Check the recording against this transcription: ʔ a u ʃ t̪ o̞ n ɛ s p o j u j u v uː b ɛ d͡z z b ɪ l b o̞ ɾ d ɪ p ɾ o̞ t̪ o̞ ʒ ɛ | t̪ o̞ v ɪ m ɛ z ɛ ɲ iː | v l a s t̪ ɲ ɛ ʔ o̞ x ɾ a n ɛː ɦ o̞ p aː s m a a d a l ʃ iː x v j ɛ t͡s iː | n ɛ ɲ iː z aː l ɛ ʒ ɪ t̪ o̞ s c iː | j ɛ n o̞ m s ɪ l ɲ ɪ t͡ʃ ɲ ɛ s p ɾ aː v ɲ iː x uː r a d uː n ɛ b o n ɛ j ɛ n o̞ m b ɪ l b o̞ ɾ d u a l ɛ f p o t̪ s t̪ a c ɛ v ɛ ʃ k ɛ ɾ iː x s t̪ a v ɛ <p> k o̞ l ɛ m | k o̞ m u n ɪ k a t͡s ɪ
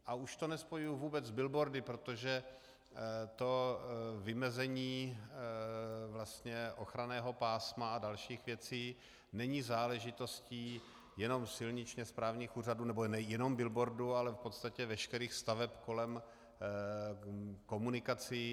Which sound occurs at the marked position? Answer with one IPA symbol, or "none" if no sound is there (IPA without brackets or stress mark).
p